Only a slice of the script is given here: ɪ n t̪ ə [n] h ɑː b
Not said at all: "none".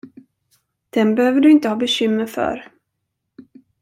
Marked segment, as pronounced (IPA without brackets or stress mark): none